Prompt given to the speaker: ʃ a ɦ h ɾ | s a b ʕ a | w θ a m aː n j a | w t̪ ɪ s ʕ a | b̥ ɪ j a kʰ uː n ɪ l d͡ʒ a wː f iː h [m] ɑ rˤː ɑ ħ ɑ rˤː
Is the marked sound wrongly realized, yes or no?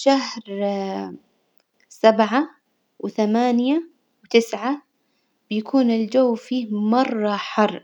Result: no